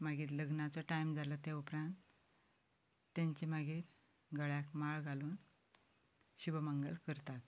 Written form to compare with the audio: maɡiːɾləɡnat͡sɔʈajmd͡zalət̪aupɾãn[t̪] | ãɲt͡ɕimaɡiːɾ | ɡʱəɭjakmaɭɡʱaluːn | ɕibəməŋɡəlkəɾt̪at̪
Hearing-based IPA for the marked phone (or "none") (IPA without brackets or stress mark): t̪